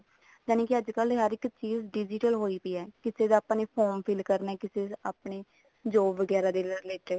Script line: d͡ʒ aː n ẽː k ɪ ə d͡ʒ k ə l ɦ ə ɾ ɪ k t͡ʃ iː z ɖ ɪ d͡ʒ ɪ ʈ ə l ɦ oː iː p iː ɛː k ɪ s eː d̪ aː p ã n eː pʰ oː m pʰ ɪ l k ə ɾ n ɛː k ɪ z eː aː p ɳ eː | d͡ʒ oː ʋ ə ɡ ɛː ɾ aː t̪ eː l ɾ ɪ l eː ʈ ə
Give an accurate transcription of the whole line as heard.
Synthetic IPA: d͡ʒ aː n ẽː k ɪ ə d͡ʒ k ə l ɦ ə ɾ ɪ k t͡ʃ iː z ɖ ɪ d͡ʒ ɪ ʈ ə l ɦ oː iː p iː ɛː k ɪ s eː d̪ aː p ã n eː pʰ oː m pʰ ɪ l k ə ɾ n ɛː k ɪ s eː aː p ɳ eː | d͡ʒ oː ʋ ə ɡ ɛː ɾ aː d̪ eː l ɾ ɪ l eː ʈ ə